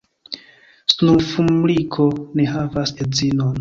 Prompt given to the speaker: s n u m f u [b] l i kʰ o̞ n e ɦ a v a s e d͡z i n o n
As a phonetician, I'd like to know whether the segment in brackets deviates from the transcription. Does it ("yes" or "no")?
yes